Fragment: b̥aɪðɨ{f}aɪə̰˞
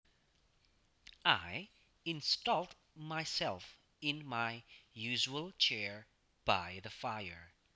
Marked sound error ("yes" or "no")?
no